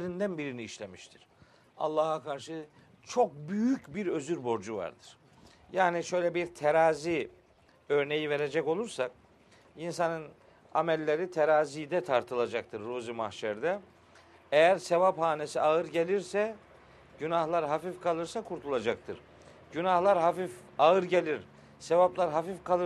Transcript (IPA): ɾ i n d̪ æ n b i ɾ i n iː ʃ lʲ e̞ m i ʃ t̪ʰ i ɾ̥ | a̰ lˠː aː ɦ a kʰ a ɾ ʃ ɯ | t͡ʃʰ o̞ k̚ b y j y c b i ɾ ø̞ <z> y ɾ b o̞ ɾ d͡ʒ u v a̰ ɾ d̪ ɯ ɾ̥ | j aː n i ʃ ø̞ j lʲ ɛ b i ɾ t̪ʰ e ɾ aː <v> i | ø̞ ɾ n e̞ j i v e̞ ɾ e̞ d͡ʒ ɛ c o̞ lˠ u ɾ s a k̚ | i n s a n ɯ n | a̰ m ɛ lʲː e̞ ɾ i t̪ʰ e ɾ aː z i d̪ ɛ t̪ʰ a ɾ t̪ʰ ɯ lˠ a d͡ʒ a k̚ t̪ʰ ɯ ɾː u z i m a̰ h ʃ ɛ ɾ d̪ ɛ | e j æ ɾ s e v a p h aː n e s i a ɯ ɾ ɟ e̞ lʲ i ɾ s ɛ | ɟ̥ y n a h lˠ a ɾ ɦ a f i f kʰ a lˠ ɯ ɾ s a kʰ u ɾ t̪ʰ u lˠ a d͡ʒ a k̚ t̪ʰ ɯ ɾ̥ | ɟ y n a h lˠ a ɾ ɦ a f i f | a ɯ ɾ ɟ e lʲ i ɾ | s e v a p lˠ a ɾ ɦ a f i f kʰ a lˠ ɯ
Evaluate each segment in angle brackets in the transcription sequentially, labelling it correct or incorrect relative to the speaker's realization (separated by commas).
correct, incorrect